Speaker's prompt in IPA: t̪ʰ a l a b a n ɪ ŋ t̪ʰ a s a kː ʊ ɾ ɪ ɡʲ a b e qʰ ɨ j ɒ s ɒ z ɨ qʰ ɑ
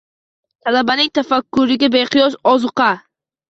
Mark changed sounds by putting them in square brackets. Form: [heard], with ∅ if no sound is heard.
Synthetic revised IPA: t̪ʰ a l a b a n ɪ ŋ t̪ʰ a [f] a kː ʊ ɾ ɪ ɡʲ a b e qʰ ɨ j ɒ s ɒ z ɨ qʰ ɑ